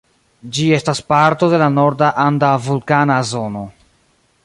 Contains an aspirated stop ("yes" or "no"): no